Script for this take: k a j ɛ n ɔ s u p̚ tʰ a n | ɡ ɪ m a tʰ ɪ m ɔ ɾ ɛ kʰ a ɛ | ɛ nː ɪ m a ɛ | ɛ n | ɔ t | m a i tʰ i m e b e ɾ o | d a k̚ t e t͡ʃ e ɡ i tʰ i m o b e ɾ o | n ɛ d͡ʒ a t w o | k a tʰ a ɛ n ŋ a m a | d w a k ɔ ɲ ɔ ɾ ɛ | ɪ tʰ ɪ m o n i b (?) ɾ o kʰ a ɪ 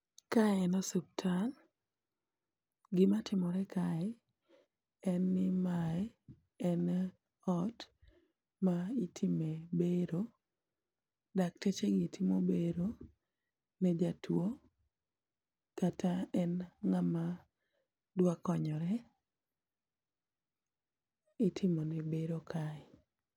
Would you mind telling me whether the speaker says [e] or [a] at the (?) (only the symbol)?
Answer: e